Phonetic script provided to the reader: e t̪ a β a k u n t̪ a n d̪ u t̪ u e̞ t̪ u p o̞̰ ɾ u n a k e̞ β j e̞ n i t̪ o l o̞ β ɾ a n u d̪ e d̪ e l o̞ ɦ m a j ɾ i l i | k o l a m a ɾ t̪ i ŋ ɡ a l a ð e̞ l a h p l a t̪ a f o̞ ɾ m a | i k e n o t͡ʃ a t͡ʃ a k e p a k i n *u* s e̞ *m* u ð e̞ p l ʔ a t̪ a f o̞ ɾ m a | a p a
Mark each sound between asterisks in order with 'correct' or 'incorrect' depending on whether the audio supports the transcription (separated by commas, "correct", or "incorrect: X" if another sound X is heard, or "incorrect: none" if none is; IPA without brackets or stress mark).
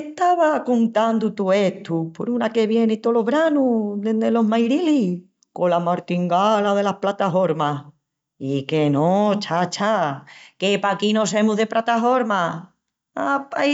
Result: incorrect: o, correct